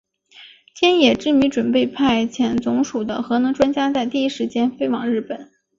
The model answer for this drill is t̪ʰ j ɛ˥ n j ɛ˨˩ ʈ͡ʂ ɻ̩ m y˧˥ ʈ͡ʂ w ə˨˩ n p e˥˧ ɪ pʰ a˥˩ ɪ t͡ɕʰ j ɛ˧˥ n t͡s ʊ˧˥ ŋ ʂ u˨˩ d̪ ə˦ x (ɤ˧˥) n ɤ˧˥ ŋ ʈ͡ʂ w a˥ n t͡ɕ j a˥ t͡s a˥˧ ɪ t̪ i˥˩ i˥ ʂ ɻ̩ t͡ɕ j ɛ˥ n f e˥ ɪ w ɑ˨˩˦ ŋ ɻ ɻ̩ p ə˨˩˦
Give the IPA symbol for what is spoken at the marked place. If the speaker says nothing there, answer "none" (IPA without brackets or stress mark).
ɤ˧˥